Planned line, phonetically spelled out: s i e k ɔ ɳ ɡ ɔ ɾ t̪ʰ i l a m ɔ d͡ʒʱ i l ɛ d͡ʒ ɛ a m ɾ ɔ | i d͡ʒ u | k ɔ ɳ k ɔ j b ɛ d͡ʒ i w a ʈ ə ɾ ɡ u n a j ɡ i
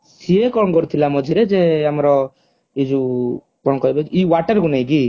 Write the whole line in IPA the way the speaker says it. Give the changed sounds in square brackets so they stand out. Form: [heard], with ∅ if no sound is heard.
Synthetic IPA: s i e k ɔ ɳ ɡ ɔ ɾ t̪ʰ i l a m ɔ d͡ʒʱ i [ɾ] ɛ d͡ʒ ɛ a m ɾ ɔ | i d͡ʒ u | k ɔ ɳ k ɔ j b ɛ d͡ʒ i w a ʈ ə ɾ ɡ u n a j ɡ i